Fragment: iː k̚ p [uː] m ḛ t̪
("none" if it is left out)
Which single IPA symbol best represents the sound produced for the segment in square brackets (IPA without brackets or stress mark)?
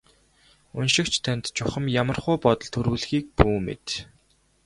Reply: uː